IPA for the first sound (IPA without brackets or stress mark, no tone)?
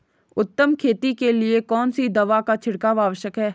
ʊ